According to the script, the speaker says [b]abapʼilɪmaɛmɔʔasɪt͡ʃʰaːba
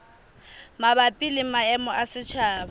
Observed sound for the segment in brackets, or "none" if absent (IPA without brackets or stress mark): m